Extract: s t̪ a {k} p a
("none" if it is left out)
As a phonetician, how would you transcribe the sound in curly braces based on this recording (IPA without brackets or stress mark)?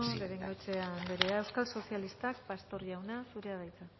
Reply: k